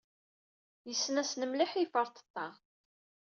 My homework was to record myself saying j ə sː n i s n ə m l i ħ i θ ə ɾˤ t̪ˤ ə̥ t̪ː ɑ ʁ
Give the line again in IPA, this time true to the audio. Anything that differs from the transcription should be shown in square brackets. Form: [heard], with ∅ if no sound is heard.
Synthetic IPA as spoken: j ə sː n [æ] s n ə m l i ħ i [f] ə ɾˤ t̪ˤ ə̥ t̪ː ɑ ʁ